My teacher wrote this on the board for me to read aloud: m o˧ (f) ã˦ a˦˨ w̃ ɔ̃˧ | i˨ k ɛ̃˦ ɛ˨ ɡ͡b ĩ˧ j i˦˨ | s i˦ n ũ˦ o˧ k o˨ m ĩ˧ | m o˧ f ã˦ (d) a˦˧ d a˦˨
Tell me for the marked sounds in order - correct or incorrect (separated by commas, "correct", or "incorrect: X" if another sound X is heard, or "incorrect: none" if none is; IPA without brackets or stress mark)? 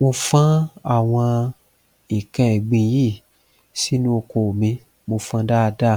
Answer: correct, correct